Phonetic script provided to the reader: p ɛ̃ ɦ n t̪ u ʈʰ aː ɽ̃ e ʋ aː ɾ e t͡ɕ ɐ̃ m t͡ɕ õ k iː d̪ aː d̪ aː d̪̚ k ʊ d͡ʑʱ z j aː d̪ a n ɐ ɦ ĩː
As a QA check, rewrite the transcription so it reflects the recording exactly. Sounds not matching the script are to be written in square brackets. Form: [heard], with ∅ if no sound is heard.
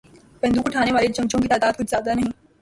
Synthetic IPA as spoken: p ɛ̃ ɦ n [d̪] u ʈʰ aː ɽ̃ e ʋ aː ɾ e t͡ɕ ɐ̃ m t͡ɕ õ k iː [t̪] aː d̪ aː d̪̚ k ʊ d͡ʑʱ z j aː d̪ a n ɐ ɦ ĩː